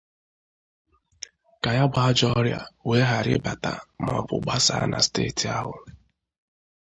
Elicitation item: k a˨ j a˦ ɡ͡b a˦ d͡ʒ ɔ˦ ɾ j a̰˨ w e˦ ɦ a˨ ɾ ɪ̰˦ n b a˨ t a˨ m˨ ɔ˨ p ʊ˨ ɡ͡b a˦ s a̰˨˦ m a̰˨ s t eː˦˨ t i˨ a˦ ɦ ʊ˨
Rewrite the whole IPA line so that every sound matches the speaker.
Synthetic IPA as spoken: k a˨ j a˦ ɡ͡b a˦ d͡ʒ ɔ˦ ɾ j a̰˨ w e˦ ɦ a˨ ɾ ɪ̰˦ b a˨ t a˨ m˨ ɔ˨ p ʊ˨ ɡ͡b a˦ s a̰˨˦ n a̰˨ s t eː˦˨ t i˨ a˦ ɦ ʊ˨